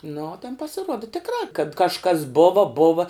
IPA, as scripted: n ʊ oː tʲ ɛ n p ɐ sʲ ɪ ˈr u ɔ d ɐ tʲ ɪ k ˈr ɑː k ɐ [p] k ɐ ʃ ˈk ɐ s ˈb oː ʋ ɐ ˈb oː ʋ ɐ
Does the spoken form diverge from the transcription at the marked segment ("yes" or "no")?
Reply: yes